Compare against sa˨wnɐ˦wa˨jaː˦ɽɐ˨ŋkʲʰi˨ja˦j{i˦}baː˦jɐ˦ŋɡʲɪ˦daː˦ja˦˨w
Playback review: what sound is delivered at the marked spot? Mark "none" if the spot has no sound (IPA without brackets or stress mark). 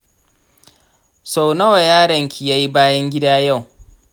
i˦